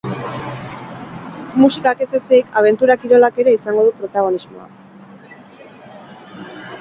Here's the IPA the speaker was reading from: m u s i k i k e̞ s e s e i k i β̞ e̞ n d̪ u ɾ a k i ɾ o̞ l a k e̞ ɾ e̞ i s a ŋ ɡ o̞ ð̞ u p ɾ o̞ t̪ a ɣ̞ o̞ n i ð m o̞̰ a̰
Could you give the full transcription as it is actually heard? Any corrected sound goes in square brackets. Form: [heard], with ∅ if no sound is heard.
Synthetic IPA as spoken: m u s i k [a] k e̞ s e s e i k [a] β̞ e̞ n [t̪] u ɾ a k i ɾ o̞ l a k e̞ ɾ e̞ i s a ŋ ɡ o̞ ð̞ u p ɾ o̞ t̪ a ɣ̞ o̞ n i [z] m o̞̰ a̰